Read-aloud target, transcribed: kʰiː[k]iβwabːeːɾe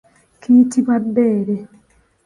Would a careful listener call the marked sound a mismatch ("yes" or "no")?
yes